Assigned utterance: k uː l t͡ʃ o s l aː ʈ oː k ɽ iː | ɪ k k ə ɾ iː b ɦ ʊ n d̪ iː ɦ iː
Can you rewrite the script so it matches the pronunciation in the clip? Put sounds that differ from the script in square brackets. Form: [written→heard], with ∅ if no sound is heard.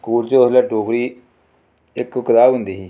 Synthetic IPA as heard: k uː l t͡ʃ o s l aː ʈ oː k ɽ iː | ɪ k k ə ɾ [iː→aː] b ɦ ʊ n d̪ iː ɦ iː